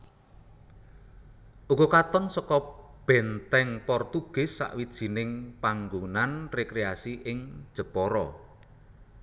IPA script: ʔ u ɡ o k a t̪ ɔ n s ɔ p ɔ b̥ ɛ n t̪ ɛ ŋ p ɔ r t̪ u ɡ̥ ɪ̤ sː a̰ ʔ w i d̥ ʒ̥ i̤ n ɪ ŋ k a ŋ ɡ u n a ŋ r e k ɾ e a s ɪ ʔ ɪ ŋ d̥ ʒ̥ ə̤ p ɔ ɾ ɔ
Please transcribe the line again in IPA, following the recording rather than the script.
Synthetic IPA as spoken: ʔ u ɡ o k a t̪ ɔ n s ɔ k ɔ b̥ ɛ n t̪ ɛ ŋ p ɔ r t̪ u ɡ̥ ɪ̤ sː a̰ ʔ w i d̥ ʒ̥ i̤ n ɪ ŋ p a ŋ ɡ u n a n r e k ɾ e a s i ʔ ɪ ŋ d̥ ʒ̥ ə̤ p ɔ ɾ ɔ